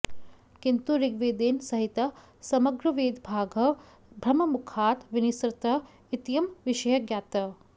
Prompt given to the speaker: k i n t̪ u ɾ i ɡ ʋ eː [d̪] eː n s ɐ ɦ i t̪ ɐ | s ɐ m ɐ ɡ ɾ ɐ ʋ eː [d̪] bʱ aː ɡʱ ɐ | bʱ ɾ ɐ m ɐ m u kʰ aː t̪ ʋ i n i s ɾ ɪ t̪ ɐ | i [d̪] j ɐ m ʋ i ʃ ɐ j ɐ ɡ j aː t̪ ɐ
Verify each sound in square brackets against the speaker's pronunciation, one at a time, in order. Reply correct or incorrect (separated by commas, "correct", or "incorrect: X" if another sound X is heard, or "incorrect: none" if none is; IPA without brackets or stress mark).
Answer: correct, correct, incorrect: t̪